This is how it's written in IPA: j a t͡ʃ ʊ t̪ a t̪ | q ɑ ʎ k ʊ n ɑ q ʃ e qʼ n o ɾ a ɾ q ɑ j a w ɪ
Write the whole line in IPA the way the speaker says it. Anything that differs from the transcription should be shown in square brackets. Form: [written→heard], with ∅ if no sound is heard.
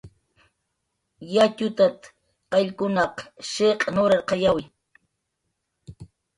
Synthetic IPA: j a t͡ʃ ʊ t̪ a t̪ | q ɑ ʎ k ʊ n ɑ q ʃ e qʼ n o ɾ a ɾ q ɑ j a w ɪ